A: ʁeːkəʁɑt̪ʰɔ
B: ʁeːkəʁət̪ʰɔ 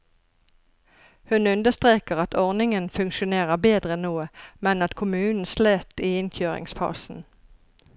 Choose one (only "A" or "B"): A